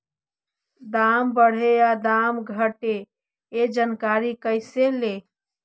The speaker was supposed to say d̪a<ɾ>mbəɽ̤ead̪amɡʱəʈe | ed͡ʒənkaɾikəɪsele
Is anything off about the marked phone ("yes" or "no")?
yes